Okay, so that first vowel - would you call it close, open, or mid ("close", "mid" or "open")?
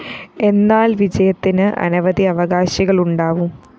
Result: mid